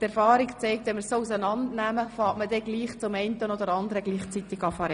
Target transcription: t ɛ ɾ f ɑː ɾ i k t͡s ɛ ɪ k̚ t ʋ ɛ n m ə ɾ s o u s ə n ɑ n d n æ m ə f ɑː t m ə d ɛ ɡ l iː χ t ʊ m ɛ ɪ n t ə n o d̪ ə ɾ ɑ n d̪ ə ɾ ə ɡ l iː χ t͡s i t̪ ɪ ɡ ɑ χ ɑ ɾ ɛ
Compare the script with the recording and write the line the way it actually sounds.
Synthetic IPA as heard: t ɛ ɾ f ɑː ɾ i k t͡s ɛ ɪ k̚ t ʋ ɛ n m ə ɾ s o u s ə n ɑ n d n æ m ə f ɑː t m ə d ɛ ɡ l iː χ t͡s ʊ m ɛ ɪ n t ə n o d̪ ə ɾ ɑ n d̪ ə ɾ ə ɡ l iː χ t͡s i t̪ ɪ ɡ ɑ f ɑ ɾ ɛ